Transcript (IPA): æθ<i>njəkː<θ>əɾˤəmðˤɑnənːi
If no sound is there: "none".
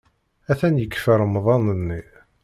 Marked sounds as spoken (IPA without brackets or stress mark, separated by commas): æ, f